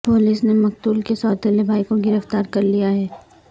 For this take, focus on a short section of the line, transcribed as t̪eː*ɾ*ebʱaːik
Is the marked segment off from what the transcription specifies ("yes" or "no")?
yes